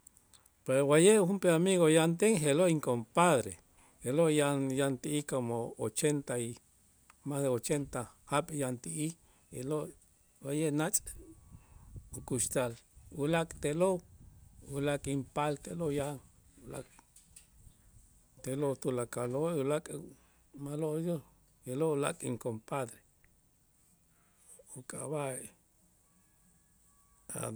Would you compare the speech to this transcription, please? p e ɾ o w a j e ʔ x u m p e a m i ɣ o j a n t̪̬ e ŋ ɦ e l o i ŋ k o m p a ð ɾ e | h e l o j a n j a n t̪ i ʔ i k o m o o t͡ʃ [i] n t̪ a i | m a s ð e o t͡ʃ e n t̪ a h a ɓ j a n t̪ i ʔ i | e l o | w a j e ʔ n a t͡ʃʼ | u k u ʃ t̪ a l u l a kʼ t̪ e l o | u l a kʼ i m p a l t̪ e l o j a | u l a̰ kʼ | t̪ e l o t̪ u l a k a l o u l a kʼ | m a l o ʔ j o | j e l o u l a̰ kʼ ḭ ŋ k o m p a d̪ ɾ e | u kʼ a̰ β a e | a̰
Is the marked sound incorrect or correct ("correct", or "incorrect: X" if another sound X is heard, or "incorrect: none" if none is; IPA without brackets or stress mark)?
incorrect: e